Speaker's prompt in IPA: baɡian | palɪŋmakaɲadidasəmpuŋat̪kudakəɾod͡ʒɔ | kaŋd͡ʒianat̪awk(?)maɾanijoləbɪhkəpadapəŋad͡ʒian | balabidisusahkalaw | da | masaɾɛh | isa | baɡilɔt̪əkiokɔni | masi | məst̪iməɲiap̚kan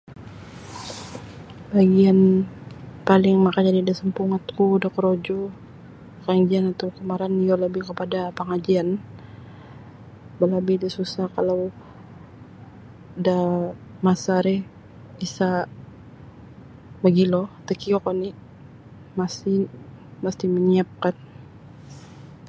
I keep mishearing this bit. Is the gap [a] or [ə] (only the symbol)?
ə